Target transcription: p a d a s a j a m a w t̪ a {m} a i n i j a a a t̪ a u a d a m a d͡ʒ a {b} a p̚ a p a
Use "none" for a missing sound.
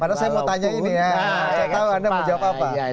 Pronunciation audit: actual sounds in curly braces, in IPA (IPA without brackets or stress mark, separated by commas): ɲ, w